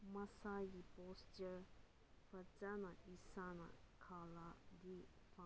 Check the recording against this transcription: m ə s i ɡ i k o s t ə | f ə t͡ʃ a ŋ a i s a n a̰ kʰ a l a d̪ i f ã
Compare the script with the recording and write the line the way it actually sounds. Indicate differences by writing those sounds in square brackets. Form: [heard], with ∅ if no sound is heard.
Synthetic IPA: m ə s [a] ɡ i [p] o s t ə | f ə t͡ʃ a [n] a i s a n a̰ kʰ a l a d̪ i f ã